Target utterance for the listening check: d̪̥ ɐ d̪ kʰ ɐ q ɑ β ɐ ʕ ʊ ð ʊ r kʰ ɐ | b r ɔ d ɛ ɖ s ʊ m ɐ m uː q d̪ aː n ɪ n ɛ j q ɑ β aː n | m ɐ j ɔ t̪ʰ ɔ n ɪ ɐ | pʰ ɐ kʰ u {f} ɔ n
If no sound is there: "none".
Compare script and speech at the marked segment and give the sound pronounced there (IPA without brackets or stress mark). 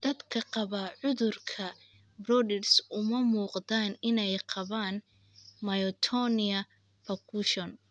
ʃ